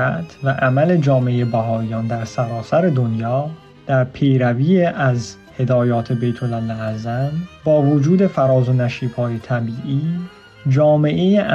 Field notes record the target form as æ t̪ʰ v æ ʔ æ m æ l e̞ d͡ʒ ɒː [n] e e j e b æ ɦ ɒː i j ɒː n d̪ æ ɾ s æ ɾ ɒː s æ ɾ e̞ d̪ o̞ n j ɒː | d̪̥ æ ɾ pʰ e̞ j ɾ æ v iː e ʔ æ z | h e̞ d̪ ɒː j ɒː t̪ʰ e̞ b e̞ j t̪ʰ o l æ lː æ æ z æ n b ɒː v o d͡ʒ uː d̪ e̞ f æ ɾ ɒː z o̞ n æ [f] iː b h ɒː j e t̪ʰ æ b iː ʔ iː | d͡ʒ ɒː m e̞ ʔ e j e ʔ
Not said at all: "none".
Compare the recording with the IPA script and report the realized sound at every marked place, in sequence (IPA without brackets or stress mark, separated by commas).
m, ʃ